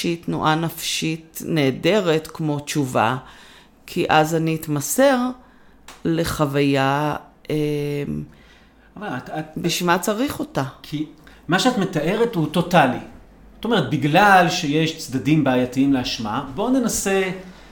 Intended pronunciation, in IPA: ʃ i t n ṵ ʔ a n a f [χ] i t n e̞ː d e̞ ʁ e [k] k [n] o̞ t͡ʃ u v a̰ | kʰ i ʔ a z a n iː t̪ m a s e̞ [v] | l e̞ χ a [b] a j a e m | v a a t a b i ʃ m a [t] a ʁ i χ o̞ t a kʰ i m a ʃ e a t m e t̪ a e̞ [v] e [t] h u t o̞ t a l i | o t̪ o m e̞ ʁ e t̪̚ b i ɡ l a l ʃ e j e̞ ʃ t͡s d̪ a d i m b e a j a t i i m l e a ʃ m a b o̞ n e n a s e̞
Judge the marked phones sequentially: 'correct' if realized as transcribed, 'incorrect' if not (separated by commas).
incorrect, incorrect, incorrect, incorrect, incorrect, incorrect, incorrect, correct